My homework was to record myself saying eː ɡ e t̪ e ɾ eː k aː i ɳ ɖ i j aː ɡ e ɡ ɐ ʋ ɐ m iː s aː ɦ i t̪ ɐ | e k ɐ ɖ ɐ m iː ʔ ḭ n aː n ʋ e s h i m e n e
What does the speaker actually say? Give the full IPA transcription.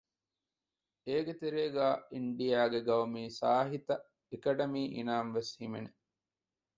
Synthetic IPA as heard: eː ɡ e t̪ e ɾ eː ɡ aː i ɳ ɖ i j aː ɡ e ɡ ɐ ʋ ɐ m iː s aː ɦ i t̪ ɐ | e k ɐ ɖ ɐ m iː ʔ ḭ n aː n ʋ e s h i m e n e